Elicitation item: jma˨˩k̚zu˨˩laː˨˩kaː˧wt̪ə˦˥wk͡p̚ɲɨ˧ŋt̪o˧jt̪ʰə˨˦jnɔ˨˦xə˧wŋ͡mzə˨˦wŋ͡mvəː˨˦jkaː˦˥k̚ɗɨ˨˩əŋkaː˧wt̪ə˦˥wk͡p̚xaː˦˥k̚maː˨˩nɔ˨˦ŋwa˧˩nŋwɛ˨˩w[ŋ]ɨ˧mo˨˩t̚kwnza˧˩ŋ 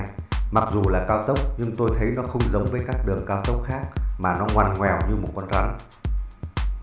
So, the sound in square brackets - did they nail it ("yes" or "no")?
no